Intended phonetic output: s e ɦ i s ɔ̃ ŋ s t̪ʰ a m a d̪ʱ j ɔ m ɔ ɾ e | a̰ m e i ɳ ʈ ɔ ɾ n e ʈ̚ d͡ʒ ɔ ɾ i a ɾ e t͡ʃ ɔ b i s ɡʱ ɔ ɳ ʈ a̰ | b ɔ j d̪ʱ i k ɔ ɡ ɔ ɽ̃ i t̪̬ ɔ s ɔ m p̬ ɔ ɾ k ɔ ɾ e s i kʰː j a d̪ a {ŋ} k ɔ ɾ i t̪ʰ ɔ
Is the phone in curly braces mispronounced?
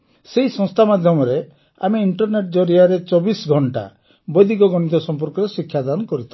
yes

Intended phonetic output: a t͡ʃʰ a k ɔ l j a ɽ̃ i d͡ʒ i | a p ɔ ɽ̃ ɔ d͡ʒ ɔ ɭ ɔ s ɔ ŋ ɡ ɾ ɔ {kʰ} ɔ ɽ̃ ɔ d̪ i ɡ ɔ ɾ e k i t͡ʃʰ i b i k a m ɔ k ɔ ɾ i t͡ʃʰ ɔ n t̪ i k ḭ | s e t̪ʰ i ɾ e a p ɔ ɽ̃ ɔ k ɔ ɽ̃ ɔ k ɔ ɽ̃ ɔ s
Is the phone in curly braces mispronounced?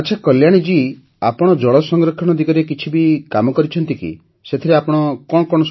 no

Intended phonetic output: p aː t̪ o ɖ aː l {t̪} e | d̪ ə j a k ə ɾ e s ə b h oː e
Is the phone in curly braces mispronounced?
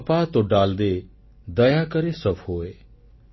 yes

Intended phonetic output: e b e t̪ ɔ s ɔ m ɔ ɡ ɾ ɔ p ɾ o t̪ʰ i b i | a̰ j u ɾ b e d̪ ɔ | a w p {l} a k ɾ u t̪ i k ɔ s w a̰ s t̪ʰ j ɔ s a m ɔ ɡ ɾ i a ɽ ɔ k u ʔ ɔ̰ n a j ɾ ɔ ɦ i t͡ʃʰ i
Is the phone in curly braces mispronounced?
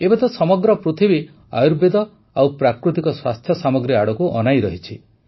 yes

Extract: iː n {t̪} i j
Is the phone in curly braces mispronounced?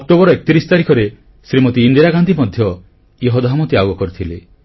yes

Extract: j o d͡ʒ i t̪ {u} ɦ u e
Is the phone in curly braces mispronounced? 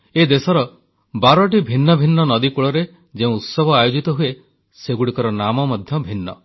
yes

